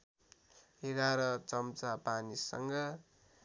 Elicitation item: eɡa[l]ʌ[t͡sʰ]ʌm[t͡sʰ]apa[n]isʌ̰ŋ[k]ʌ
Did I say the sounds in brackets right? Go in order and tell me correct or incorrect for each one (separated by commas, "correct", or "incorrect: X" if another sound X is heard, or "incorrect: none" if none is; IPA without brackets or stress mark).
incorrect: ɾ, incorrect: t͡s, incorrect: t͡s, correct, incorrect: ɡ